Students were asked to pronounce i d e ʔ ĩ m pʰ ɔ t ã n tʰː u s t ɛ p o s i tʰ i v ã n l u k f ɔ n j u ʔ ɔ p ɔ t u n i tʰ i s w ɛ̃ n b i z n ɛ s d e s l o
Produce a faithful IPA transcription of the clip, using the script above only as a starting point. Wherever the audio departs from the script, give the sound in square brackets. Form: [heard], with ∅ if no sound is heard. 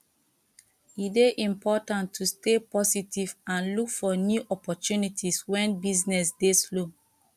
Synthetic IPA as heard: i d e ʔ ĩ m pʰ ɔ t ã n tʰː u s t [e] p [ɔ] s i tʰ i v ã n l u k f ɔ n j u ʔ ɔ p ɔ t u n i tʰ i s w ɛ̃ n b i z n ɛ s d e s l o